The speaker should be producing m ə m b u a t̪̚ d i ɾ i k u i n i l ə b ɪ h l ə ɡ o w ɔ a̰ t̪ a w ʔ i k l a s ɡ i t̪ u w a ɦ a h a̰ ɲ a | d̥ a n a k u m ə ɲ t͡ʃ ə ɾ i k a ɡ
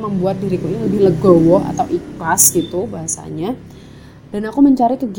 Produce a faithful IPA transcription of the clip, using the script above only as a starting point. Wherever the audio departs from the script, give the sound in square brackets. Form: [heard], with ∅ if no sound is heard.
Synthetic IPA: m ə m b u a t̪̚ d i ɾ i k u i n i l ə b ɪ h l ə ɡ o w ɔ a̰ t̪ a w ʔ i k l a s ɡ i t̪ u [b] a ɦ a [s] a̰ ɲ a | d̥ a n a k u m ə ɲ t͡ʃ [a] ɾ i k [ə] ɡ